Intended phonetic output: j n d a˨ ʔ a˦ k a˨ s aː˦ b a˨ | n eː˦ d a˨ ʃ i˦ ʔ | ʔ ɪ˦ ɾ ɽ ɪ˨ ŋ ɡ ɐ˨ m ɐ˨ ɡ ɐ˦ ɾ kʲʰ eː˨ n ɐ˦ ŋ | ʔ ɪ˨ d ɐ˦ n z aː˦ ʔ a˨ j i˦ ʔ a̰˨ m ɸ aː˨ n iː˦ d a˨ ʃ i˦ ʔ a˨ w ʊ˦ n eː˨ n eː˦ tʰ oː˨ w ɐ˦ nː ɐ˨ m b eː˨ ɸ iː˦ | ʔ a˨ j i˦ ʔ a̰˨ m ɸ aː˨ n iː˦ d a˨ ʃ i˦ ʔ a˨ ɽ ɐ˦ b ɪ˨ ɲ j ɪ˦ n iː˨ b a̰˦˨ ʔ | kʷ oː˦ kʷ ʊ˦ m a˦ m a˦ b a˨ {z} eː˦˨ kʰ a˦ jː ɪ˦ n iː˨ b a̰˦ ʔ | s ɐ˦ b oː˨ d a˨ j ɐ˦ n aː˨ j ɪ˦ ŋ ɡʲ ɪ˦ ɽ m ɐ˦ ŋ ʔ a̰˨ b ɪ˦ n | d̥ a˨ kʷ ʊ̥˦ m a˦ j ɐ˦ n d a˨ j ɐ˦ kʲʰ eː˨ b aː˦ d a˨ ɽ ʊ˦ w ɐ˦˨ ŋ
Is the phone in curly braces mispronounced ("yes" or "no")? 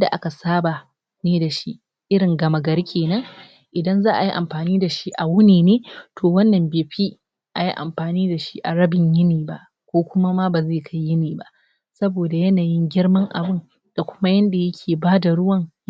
no